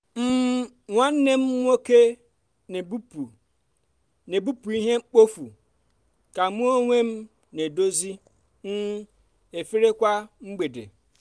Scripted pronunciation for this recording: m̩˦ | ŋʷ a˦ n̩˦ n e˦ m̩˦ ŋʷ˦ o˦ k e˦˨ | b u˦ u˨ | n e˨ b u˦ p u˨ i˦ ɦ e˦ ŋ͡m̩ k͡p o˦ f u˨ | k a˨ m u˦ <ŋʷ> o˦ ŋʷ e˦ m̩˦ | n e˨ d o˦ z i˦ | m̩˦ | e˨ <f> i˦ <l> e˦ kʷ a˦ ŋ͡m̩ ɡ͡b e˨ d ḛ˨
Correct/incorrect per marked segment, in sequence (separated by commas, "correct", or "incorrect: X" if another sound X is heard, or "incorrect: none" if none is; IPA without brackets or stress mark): incorrect: none, correct, incorrect: ɾ